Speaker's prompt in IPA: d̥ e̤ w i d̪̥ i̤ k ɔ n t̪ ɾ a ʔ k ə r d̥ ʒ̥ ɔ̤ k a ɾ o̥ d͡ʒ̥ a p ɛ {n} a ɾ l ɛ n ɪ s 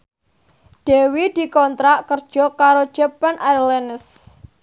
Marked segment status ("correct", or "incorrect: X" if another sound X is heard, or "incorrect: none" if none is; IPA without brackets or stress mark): correct